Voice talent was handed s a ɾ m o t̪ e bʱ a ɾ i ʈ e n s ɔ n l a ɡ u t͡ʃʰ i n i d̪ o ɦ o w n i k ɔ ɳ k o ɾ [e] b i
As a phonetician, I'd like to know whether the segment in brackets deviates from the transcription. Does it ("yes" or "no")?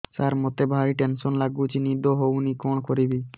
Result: yes